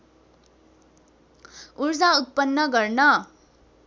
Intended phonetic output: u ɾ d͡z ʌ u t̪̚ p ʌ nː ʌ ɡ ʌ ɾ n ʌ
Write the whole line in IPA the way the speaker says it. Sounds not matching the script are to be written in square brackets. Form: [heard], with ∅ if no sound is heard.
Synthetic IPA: u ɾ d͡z [a] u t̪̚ p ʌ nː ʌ ɡ ʌ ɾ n ʌ